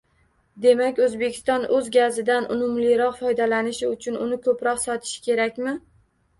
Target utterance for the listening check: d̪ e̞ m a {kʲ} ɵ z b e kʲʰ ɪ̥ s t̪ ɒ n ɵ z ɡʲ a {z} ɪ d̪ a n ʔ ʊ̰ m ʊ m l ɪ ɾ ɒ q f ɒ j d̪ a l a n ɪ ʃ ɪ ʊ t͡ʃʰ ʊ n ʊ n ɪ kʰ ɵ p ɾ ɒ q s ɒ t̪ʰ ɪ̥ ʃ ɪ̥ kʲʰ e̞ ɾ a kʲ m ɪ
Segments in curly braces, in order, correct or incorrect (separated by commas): correct, correct